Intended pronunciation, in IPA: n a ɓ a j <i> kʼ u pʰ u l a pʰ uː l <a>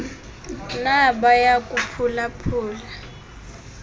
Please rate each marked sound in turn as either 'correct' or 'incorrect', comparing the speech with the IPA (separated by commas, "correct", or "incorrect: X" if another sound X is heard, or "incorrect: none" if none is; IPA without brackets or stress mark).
incorrect: a, correct